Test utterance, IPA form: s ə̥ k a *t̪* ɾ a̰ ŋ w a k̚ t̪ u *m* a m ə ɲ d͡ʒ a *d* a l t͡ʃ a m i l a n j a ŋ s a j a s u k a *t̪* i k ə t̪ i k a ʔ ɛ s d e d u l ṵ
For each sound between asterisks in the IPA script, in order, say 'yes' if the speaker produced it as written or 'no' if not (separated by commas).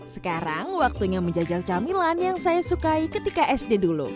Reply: no, no, no, no